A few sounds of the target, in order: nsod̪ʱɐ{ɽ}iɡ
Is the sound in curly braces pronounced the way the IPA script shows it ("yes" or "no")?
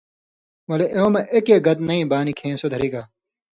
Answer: no